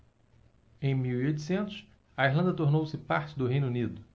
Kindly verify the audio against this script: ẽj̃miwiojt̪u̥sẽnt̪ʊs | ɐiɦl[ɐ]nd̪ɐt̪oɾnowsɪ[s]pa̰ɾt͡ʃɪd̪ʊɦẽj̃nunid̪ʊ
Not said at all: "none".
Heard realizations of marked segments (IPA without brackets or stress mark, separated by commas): ɐ̃, none